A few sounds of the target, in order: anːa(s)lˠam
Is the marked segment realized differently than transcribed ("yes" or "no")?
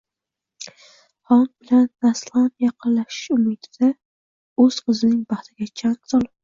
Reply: no